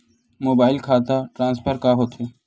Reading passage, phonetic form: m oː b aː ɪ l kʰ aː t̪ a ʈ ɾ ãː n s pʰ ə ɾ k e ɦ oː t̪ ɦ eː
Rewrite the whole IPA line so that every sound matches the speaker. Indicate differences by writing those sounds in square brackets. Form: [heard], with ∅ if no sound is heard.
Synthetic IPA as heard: m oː b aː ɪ l kʰ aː t̪ a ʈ ɾ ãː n s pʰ ə ɾ k [a] ɦ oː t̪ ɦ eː